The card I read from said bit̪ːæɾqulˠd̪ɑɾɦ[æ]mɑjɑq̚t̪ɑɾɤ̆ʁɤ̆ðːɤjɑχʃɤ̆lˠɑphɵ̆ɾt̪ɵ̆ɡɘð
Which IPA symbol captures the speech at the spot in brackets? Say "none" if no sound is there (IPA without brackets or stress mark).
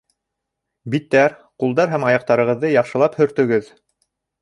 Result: æ